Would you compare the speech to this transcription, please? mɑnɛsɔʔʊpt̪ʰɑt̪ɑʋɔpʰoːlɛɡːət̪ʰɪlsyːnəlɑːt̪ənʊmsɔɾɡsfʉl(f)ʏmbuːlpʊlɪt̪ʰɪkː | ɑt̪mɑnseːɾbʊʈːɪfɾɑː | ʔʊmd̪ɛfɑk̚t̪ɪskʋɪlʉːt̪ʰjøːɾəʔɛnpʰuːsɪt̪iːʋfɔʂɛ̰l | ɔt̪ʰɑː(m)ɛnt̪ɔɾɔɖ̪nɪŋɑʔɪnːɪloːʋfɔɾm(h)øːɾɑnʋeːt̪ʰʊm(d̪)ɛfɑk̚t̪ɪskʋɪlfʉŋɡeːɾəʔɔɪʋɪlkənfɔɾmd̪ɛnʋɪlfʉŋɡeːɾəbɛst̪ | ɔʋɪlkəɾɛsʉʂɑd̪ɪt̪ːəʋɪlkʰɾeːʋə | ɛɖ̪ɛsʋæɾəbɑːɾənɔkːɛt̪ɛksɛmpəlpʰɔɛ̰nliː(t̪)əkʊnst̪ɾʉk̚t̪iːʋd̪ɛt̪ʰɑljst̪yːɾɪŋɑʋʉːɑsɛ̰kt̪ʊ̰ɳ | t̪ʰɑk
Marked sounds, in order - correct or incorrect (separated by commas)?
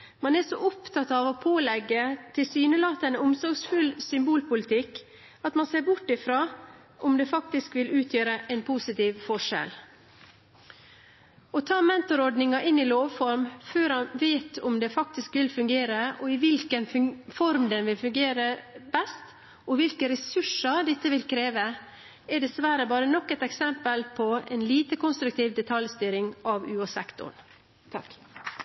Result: incorrect, correct, incorrect, correct, correct